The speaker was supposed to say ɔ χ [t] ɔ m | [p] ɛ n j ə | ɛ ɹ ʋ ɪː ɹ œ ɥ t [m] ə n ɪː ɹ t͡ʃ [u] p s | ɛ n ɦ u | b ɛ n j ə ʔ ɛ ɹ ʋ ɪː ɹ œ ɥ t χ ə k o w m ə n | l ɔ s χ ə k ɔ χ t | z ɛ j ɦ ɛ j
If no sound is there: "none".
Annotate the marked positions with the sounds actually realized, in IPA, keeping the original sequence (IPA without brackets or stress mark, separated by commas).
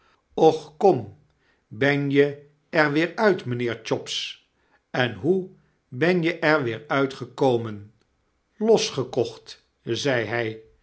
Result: k, b, m, ɔ